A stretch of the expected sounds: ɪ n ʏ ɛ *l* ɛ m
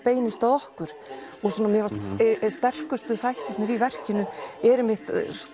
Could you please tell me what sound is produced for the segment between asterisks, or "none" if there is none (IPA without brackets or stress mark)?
ɾ